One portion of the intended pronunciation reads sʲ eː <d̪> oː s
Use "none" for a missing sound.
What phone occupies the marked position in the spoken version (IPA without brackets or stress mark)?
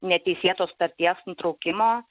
t̪